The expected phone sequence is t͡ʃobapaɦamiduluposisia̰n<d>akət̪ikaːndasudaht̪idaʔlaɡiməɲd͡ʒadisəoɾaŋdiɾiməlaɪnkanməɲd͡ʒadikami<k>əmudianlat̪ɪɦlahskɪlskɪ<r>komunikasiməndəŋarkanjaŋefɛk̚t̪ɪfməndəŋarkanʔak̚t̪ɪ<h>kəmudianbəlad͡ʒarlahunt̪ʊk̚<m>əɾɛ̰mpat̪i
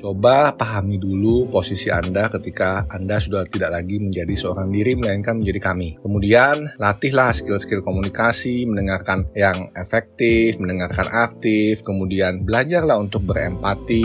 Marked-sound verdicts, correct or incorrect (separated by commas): correct, correct, incorrect, incorrect, incorrect